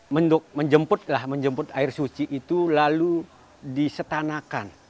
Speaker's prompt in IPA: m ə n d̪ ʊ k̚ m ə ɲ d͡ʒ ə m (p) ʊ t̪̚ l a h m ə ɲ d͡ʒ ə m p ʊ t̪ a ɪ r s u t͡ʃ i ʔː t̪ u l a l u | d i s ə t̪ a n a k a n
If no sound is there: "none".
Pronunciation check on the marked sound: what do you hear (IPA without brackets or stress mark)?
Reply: p